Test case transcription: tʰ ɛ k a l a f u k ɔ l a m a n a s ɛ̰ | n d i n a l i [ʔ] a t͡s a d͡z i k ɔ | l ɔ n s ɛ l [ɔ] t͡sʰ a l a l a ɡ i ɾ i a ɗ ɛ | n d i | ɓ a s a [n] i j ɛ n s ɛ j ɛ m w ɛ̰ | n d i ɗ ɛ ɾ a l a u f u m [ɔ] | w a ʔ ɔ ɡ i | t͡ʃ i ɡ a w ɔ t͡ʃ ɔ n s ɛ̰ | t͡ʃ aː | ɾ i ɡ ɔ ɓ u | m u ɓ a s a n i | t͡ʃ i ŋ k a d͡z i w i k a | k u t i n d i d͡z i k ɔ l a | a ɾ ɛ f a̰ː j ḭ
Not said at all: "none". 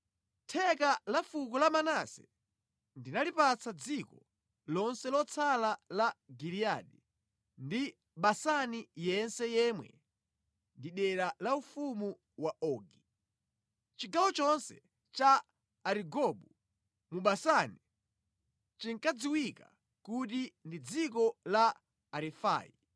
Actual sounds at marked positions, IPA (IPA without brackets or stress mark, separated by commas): p, ɔ, n, u